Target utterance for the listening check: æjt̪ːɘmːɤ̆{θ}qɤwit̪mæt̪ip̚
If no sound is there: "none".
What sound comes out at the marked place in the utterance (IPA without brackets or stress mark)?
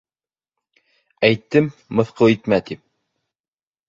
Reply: θ